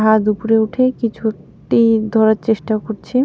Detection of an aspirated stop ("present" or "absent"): present